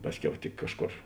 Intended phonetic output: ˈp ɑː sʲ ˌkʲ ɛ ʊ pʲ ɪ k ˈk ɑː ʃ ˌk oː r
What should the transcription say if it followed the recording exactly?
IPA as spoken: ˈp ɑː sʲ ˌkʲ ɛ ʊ tʲ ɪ k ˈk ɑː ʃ ˌk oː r